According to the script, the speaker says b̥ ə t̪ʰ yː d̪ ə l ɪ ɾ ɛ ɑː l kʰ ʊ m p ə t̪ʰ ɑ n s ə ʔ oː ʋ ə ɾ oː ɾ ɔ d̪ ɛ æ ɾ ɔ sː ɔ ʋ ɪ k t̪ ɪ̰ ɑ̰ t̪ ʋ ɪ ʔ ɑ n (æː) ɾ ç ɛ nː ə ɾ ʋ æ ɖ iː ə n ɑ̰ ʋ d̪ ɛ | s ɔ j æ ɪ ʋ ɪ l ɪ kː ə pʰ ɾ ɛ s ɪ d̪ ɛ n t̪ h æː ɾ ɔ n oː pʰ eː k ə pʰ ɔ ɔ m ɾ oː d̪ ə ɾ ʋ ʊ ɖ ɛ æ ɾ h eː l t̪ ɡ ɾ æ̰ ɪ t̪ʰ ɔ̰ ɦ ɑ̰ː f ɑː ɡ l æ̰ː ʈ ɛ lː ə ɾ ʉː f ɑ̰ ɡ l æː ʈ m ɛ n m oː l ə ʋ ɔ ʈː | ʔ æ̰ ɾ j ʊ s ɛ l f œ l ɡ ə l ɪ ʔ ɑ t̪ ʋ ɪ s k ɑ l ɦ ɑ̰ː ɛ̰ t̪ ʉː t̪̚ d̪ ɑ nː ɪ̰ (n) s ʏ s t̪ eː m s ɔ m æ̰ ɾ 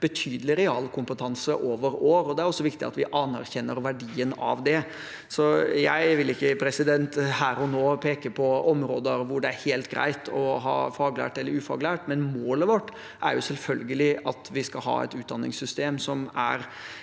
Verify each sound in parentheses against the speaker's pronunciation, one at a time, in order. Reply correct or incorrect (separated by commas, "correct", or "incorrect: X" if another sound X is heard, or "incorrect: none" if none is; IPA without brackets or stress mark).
incorrect: æ, incorrect: ŋ